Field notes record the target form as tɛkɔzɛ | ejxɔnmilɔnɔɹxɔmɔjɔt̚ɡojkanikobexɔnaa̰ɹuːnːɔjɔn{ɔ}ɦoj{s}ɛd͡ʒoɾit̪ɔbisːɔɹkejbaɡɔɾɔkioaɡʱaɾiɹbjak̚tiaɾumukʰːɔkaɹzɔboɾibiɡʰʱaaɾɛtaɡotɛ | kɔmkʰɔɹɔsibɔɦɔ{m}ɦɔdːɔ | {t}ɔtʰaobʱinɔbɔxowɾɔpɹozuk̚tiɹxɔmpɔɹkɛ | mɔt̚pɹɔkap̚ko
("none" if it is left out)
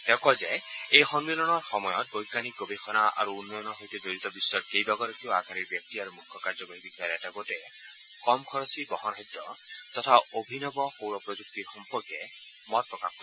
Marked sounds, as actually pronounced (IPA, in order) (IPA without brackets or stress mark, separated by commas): ɔ, t, n, t